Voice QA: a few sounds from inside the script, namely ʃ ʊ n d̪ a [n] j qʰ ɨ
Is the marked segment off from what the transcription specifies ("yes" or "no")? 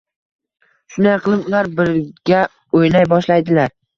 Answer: yes